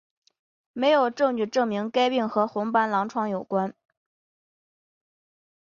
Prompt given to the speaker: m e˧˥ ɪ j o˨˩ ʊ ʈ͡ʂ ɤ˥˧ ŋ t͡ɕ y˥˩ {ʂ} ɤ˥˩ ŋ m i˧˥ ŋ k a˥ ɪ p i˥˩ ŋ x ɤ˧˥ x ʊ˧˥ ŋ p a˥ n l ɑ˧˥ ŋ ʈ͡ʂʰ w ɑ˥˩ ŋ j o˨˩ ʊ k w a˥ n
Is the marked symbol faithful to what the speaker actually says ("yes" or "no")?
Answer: no